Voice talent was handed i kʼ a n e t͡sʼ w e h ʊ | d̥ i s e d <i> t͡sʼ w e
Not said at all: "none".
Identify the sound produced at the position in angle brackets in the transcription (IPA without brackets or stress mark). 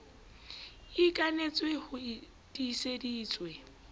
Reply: iː